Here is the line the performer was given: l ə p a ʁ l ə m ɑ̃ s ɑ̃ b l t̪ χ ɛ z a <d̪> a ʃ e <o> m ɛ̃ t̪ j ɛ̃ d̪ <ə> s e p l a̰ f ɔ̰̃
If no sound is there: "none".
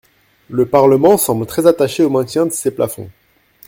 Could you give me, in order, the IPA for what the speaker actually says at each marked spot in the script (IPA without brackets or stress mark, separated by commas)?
t̪, o, ə